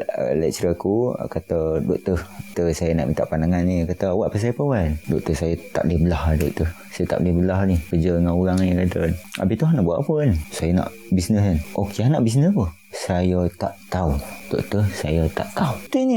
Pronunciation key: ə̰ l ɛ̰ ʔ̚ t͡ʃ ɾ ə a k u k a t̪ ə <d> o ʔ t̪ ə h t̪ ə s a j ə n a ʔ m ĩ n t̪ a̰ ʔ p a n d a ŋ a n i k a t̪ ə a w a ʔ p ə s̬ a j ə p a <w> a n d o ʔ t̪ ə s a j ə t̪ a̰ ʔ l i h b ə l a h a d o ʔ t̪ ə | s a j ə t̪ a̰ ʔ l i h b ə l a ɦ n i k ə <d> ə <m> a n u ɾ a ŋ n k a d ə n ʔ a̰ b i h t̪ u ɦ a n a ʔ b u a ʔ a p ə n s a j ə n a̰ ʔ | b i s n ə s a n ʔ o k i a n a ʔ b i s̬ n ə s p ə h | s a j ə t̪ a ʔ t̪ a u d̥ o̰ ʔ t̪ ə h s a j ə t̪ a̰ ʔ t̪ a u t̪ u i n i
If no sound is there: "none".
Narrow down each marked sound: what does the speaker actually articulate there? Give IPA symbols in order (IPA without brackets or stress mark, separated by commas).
d, w, d͡ʒ, ŋ